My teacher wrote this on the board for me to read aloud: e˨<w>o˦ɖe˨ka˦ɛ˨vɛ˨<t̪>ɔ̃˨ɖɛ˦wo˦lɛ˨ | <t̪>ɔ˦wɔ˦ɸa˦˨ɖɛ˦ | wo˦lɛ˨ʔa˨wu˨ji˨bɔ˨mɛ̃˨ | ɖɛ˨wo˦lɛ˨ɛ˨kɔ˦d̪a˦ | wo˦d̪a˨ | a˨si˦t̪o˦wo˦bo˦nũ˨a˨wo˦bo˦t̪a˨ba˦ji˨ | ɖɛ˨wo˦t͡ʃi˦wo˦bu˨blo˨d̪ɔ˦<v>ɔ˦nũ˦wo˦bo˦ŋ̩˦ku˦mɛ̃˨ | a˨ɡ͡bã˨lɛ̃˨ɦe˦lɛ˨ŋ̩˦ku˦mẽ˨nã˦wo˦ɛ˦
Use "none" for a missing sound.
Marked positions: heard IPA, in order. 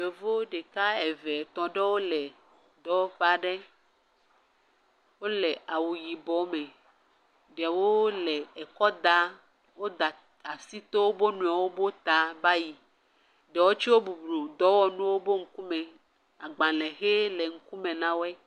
v, t̪, d̪, w

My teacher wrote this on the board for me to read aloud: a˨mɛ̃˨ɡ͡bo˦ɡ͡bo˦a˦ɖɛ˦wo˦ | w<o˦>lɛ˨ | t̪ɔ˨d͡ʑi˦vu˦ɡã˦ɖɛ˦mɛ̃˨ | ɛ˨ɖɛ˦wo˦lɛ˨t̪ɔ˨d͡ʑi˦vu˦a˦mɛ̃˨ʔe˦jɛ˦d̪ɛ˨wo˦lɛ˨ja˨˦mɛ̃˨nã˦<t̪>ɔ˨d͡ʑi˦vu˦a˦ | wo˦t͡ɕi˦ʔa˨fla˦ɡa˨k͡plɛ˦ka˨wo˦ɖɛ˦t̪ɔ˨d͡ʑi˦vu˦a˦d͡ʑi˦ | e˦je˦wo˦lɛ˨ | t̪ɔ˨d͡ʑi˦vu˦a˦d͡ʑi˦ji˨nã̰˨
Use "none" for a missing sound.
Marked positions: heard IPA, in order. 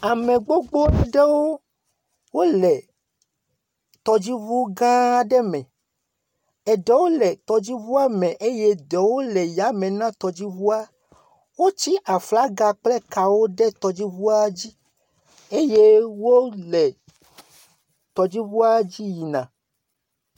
o˦, t̪

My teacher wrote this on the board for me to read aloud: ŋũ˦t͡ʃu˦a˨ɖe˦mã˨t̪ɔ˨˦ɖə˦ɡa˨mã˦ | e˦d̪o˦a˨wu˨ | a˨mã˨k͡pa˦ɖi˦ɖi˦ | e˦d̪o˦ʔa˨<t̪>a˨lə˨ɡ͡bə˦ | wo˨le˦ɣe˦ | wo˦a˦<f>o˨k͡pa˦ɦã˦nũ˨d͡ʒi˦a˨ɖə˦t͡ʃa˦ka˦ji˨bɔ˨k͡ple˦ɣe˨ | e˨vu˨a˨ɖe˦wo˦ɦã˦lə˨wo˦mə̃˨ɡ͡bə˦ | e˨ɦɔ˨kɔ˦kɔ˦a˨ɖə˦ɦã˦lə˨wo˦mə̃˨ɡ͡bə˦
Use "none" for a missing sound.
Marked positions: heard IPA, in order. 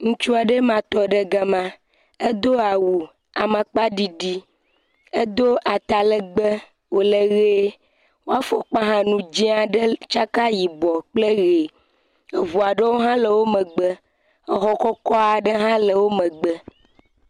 t̪, f

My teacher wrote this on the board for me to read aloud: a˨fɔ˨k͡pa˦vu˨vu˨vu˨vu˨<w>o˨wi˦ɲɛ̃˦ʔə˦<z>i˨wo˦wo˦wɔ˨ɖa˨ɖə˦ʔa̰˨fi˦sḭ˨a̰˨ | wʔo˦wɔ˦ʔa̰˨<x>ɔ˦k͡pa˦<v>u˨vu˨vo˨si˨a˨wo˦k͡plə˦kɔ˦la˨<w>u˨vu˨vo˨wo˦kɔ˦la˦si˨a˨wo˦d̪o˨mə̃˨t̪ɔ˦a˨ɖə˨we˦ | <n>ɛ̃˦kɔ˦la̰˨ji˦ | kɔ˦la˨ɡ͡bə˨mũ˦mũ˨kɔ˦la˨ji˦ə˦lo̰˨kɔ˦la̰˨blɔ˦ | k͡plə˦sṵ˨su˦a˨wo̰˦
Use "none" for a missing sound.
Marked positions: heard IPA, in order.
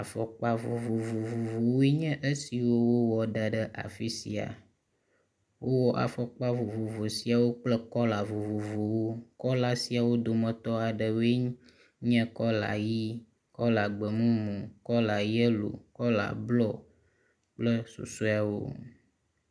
v, s, f, v, v, ɲ

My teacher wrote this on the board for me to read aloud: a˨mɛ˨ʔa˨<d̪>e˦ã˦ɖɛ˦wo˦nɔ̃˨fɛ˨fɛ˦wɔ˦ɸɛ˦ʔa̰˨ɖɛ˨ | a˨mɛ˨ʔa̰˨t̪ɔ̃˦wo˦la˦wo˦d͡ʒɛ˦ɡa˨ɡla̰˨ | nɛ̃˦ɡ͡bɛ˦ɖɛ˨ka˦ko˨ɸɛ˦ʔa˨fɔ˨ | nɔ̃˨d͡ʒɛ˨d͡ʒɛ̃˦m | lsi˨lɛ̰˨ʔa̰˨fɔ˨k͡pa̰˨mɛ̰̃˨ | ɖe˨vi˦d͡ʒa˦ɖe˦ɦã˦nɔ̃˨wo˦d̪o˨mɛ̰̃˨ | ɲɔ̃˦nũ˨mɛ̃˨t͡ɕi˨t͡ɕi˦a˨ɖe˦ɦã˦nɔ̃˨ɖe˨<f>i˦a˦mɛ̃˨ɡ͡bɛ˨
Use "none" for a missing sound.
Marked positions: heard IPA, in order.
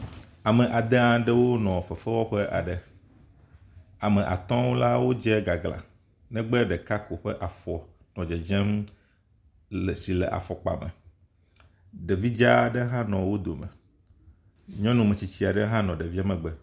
d̪, v

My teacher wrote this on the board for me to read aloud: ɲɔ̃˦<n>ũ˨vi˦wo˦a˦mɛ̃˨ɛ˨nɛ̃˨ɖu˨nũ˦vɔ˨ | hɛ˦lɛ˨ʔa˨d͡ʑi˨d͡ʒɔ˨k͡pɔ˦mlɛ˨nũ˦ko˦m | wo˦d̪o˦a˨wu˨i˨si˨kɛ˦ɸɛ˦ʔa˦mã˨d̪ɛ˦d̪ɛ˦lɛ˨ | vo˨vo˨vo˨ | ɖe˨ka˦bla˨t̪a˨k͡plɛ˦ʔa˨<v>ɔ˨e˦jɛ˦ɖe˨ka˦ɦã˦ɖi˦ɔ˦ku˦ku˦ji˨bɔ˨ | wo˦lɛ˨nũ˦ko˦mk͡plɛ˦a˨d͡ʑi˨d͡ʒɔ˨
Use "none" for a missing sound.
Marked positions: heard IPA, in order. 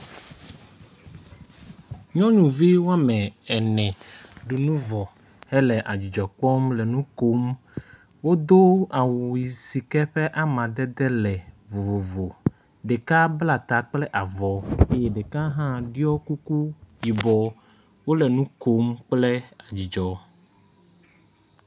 ɲ, v

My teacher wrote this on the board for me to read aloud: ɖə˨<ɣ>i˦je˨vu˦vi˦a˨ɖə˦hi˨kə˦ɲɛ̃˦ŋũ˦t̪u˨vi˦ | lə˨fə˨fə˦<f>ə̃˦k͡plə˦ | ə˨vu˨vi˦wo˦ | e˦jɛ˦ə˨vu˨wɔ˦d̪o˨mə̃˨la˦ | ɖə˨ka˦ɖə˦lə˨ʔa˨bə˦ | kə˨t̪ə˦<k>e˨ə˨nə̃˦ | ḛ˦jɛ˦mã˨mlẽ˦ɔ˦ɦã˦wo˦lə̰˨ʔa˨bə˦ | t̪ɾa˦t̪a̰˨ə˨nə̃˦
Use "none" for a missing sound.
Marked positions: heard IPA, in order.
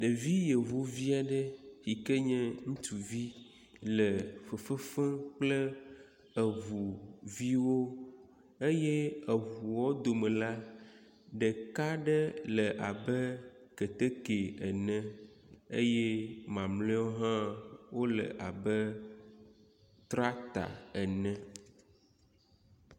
v, f, k

